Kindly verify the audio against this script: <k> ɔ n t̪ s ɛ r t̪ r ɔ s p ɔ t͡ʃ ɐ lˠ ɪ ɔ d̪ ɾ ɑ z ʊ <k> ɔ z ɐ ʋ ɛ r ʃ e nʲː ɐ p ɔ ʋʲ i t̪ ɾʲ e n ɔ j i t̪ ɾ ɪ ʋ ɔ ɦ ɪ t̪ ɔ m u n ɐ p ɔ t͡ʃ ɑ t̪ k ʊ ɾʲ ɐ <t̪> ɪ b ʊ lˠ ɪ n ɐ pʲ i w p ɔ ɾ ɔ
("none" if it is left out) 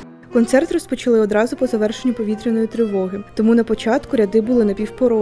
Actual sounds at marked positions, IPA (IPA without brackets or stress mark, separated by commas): k, p, d̪